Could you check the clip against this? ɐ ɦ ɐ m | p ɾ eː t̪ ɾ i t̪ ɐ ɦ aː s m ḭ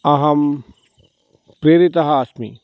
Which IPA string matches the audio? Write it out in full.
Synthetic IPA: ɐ ɦ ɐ m | p ɾ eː ɾ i t̪ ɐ ɦ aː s m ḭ